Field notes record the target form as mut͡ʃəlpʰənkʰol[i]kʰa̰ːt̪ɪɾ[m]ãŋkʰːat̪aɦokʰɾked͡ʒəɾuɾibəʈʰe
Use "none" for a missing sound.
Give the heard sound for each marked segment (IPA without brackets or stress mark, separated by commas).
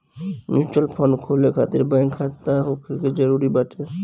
e, b